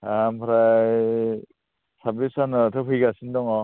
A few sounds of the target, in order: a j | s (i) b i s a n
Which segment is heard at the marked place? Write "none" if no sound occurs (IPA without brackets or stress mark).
a